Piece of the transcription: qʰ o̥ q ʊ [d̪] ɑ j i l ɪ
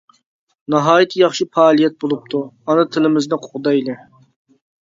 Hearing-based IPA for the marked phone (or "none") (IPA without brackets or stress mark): d̪